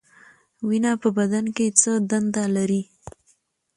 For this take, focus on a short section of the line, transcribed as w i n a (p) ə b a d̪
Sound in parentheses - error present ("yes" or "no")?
no